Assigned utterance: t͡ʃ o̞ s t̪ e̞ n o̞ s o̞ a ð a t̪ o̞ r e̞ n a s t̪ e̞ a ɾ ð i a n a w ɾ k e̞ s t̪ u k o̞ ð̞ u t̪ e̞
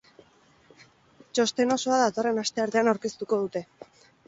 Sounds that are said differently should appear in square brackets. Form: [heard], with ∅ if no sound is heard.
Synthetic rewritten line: t͡ʃ o̞ s t̪ e̞ n o̞ s o̞ a ð a t̪ o̞ r e̞ n a s t̪ e̞ a ɾ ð [e] a n a w ɾ k e̞ s t̪ u k o̞ ð̞ u t̪ e̞